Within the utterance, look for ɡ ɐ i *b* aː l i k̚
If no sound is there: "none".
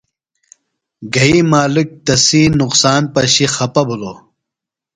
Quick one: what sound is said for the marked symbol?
m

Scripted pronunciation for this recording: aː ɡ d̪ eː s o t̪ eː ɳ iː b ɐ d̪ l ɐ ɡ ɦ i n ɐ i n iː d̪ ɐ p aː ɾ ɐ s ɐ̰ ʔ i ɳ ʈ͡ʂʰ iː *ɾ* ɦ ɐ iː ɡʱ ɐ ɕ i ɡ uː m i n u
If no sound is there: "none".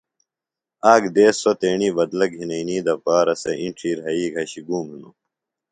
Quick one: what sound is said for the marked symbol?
ɾ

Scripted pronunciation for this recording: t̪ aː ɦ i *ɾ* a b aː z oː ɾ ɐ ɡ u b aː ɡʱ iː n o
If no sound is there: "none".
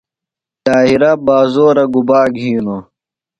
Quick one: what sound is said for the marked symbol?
ɾ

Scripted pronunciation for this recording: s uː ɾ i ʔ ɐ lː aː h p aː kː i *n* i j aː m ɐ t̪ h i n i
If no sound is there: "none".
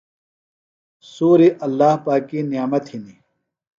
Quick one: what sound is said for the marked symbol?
n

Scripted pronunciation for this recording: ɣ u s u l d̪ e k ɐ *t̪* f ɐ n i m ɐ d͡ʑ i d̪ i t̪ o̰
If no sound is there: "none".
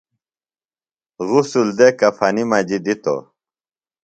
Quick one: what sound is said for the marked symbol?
none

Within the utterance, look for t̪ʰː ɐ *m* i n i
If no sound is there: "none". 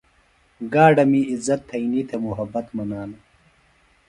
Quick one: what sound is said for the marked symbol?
none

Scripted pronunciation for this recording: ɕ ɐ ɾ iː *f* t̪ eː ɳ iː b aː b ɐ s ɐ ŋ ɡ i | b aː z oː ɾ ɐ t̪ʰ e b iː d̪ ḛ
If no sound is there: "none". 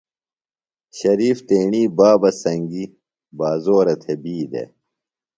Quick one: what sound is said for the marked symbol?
f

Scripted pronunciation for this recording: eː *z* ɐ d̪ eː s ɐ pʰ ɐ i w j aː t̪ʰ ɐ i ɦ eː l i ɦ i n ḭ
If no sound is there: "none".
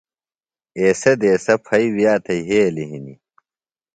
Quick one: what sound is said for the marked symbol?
s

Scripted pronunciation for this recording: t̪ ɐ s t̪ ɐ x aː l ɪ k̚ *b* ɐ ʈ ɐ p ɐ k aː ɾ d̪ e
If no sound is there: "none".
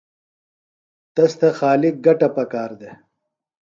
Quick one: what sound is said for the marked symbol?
ɡ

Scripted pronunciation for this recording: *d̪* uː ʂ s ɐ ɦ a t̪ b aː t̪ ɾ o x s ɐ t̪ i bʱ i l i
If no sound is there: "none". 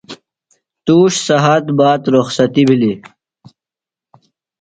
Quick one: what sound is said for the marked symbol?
t̪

